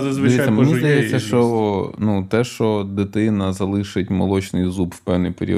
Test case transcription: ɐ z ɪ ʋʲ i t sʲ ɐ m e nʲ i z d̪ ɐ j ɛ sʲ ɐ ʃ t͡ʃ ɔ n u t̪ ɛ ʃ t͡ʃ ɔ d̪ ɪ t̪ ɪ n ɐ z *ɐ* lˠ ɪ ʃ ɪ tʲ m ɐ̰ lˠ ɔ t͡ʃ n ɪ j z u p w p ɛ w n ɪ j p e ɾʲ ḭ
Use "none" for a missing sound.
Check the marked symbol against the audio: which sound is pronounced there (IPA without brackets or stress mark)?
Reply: ɐ